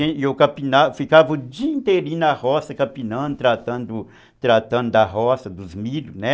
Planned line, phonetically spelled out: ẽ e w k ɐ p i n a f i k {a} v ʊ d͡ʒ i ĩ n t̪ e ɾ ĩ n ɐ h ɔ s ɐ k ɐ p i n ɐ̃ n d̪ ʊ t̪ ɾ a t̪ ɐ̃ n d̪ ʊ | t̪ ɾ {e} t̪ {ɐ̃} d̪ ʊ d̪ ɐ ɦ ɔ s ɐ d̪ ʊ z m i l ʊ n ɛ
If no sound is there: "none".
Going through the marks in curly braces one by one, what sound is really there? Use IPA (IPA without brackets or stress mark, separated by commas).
a, a, ɐ̃